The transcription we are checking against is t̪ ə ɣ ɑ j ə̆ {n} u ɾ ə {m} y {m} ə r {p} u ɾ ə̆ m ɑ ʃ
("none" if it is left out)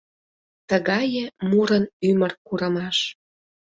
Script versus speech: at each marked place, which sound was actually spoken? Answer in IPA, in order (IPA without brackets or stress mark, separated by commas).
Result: m, n, m, k